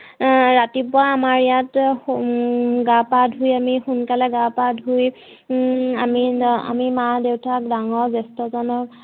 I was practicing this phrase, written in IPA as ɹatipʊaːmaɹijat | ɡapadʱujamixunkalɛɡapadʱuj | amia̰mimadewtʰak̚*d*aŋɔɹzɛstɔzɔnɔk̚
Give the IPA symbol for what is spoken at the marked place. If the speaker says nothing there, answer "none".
d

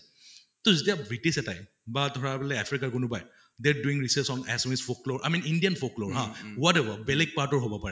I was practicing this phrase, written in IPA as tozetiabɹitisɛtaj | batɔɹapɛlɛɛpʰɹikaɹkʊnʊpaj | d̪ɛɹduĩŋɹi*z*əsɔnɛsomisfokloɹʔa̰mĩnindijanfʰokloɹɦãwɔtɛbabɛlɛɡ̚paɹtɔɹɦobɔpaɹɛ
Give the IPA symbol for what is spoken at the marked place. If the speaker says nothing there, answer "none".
s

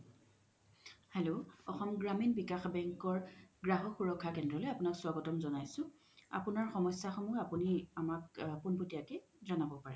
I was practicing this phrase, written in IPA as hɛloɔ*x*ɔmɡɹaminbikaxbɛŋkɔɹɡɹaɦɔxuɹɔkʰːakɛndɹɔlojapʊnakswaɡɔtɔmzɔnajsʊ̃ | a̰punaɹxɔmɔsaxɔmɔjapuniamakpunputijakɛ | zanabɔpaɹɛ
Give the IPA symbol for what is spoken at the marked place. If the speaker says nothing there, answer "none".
x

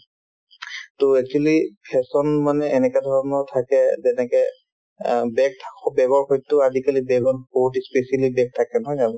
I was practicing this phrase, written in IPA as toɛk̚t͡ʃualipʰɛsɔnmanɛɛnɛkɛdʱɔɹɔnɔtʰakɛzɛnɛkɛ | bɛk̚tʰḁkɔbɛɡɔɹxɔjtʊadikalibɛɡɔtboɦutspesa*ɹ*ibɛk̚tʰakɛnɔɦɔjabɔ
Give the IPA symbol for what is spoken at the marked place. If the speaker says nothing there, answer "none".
l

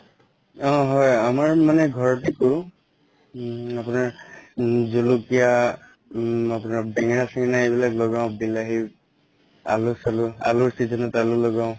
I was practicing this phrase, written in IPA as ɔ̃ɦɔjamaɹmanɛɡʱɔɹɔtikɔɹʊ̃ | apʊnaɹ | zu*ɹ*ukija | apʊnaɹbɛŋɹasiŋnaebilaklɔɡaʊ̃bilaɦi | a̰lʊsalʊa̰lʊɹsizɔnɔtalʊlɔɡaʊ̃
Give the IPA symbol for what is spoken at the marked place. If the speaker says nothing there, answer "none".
l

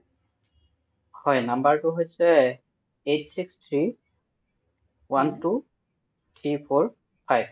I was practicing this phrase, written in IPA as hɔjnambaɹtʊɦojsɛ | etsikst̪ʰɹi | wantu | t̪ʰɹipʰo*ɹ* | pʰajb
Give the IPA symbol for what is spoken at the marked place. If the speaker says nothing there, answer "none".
ɹ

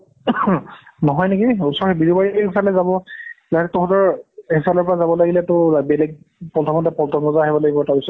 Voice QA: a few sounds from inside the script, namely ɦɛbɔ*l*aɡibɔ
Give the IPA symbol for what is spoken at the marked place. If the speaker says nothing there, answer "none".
l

